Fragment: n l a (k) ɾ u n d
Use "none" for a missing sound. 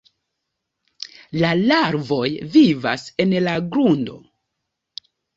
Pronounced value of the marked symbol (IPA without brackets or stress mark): ɡ